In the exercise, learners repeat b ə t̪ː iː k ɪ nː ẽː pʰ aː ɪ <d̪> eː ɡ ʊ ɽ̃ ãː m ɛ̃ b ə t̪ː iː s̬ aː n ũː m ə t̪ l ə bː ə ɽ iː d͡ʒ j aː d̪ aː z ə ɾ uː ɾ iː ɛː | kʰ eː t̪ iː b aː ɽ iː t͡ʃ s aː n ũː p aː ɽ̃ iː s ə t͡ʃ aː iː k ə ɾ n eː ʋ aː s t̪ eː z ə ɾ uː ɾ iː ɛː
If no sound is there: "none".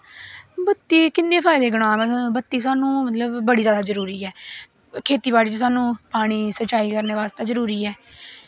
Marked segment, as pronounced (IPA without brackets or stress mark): d̪